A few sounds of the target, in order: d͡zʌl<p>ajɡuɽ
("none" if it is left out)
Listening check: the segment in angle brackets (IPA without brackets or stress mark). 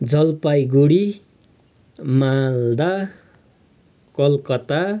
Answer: p